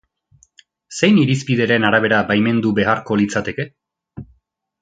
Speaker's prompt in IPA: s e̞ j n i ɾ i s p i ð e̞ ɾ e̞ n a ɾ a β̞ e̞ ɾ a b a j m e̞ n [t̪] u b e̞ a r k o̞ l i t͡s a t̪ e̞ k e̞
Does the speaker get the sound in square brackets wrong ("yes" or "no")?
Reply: yes